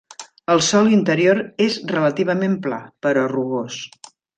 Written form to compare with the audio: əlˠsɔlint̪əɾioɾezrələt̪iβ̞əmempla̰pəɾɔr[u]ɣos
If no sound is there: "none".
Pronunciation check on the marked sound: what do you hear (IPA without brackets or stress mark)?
u